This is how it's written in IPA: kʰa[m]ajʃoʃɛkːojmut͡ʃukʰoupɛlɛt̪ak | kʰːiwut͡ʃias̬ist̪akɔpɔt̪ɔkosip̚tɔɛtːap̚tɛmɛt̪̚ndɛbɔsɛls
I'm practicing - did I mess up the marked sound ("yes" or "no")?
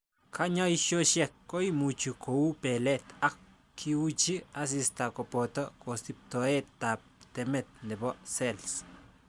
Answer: yes